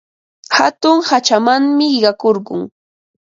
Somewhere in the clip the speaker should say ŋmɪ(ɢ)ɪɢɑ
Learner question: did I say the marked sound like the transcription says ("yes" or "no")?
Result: no